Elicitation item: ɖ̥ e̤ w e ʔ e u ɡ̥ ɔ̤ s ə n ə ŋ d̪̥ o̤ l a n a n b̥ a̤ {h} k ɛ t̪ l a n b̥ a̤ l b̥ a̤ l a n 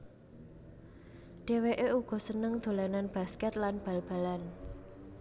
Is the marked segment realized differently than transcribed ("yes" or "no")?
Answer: yes